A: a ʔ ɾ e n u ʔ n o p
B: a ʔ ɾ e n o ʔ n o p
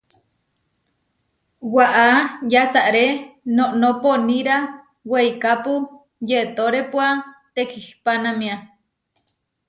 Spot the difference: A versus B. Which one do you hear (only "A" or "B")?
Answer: B